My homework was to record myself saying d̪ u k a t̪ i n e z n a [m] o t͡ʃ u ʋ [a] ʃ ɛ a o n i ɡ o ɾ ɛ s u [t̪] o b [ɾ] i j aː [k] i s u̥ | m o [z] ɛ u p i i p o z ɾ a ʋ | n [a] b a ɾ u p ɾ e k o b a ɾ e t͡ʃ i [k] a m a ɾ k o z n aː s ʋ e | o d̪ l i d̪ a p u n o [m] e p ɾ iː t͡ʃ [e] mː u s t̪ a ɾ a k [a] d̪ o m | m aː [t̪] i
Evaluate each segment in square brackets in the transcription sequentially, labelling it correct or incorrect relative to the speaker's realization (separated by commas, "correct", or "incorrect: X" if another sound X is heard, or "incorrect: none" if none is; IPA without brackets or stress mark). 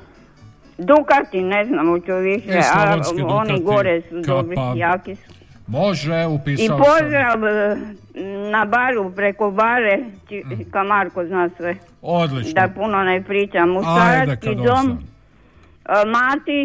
correct, incorrect: i, incorrect: d̪, correct, correct, incorrect: ʒ, correct, correct, incorrect: n, incorrect: a, incorrect: i, correct